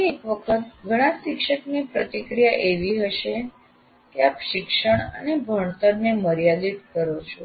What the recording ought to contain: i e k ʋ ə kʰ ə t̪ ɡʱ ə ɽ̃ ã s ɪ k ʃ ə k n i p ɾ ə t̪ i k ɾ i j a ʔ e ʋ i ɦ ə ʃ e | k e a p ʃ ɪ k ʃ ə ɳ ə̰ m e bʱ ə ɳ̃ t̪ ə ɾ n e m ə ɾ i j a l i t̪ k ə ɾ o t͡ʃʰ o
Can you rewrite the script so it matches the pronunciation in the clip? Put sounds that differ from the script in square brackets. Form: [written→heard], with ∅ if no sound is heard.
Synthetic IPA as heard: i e k ʋ ə kʰ ə t̪ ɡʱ ə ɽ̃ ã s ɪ k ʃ ə k n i p ɾ ə t̪ i k ɾ i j a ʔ e ʋ i ɦ ə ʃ e | k e a p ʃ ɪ k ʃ ə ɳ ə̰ [m→n] e bʱ ə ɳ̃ t̪ ə ɾ n e m ə ɾ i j a l i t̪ k ə ɾ o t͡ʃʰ o